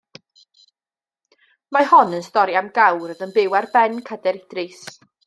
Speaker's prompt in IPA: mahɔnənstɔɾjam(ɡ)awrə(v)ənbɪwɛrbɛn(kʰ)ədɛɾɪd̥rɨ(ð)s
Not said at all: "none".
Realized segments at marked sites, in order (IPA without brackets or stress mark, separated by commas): ɡ, ð, kʰ, none